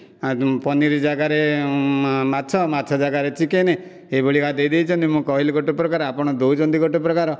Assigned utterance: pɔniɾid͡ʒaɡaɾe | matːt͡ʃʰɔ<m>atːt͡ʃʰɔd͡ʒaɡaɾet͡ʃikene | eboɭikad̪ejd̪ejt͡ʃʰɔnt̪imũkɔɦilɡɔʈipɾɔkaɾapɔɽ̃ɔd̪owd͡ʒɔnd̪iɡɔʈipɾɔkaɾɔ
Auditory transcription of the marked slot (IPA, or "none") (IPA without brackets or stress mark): m